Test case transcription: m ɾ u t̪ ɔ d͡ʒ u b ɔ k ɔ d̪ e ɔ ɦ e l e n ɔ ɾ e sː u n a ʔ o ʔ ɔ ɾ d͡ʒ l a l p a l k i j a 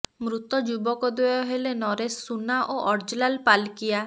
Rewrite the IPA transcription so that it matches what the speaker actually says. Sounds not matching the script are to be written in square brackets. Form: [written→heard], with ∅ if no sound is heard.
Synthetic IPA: m ɾ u t̪ ɔ d͡ʒ u b ɔ k ɔ d̪ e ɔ ɦ e l e n ɔ ɾ e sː u n a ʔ o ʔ ɔ ɾ d͡ʒ l a l p a l k i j a